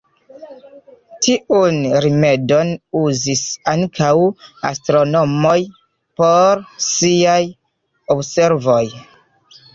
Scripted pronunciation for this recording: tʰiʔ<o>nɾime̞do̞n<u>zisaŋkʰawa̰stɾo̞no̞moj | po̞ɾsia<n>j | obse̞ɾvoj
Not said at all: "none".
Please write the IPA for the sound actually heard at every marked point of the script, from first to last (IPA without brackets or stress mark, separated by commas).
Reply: u, u, none